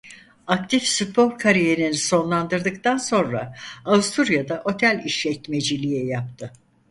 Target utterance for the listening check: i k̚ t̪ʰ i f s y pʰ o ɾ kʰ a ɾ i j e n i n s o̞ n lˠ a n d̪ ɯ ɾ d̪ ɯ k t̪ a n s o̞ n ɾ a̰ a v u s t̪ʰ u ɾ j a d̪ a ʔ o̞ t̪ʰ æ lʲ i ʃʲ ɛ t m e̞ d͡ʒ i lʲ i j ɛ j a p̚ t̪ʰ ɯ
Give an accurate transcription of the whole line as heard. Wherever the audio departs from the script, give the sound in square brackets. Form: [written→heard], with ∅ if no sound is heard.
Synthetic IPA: [i→a] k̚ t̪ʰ i f s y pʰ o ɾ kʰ a ɾ i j e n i n s o̞ n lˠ a n d̪ ɯ ɾ d̪ ɯ k t̪ a n s o̞ n ɾ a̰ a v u s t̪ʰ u ɾ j a d̪ a ʔ o̞ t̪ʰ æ lʲ i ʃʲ ɛ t m e̞ d͡ʒ i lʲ i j ɛ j a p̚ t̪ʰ ɯ